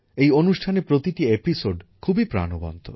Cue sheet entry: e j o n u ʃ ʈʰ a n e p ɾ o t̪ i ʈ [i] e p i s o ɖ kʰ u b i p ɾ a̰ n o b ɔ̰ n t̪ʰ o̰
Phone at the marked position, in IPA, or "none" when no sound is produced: i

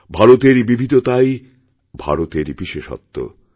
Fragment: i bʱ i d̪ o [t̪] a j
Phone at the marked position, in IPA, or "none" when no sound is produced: t̪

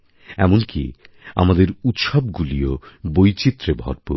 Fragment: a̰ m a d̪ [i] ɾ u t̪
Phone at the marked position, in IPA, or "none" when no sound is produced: e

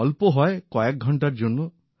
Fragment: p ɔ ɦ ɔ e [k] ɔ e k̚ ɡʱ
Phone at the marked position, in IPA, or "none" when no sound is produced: k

